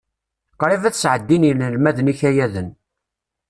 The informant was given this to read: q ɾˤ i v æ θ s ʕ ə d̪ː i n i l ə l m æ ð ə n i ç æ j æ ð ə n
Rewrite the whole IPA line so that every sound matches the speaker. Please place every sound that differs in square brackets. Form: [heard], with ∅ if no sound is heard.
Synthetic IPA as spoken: q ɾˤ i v æ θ s ʕ ə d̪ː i n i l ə l m æ ð ə n i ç æ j æ ð ə n